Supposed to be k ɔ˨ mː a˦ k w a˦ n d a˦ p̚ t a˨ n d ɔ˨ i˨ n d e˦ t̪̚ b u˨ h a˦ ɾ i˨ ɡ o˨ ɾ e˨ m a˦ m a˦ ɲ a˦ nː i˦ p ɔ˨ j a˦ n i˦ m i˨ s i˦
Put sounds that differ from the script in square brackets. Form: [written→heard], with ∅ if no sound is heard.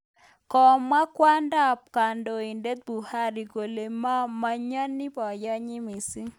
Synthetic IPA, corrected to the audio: k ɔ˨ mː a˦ k w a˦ n d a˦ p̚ [t→k] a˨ n d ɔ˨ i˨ n d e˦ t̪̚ b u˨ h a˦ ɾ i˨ ɡ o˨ [ɾ→l] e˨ m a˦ m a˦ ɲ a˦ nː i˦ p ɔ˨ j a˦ [n→ɲ] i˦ m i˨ s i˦